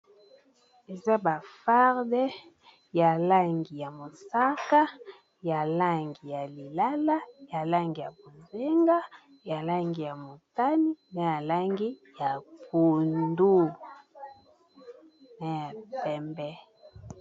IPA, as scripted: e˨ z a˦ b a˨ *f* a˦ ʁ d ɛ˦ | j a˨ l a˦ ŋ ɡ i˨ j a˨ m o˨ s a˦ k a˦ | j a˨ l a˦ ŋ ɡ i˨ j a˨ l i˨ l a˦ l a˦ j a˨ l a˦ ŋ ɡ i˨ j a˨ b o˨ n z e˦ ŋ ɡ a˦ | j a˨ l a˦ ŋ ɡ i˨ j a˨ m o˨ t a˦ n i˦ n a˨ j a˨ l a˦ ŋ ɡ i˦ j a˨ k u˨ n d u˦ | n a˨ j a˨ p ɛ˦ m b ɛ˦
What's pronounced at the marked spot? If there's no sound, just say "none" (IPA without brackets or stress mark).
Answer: f